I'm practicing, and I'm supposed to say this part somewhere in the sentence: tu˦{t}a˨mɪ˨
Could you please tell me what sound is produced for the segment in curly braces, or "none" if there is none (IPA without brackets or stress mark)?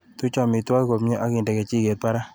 t͡ʃ